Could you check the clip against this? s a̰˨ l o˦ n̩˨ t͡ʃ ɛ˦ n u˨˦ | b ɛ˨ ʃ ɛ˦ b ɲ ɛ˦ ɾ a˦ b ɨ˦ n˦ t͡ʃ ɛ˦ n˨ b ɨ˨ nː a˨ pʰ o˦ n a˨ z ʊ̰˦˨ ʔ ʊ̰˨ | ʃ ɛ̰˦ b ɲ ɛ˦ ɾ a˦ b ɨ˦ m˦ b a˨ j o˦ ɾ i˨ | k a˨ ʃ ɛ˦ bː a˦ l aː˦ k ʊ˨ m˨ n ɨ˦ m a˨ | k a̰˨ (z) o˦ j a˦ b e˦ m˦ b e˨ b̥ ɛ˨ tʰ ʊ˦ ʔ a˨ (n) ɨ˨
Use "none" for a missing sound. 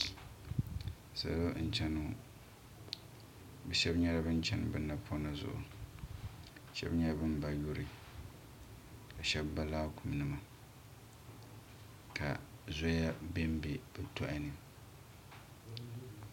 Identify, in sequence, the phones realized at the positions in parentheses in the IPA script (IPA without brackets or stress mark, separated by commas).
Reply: z, n